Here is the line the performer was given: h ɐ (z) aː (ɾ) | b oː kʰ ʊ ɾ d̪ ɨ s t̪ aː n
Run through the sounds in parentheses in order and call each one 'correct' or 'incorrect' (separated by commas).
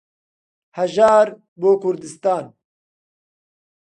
incorrect, correct